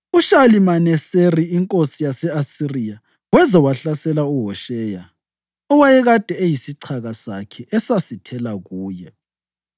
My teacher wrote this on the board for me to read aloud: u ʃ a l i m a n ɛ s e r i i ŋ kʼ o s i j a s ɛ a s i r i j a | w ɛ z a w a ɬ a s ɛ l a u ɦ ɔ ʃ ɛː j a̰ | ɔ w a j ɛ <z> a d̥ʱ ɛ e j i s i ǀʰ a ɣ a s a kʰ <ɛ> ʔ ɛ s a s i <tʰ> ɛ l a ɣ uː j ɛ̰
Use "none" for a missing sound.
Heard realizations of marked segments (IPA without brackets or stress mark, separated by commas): ɣ, ɛ, tʰ